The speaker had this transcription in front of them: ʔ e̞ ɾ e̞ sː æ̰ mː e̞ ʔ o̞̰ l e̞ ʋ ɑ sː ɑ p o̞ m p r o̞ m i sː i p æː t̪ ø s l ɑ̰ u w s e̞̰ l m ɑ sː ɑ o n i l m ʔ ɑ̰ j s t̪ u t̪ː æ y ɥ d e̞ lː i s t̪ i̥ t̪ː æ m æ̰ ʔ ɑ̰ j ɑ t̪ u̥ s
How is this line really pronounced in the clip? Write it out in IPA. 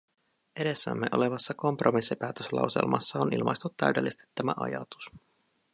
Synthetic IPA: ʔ e̞ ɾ e̞ sː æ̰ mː e̞ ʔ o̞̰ l e̞ ʋ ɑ sː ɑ k o̞ m p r o̞ m i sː i p æː t̪ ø s l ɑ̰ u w s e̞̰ l m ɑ sː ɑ o n i l m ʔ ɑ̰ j s t̪ u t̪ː æ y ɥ d e̞ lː i s t̪ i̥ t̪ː æ m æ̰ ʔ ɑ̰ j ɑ t̪ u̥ s